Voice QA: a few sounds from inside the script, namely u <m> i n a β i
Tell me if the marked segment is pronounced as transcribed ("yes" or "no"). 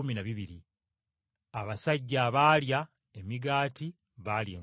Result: yes